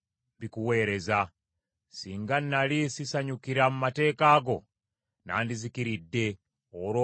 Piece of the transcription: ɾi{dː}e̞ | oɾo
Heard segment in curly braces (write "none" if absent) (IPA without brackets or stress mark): dː